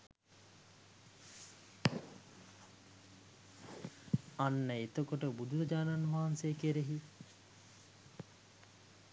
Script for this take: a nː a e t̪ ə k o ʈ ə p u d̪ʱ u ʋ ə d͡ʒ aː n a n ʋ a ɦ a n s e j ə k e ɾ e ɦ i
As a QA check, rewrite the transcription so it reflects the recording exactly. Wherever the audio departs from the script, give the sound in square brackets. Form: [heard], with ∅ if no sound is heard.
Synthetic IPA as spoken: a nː [ə] e t̪ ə k o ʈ ə [b] u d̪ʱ u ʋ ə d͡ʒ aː n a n ʋ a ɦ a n s e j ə k e ɾ e ɦ i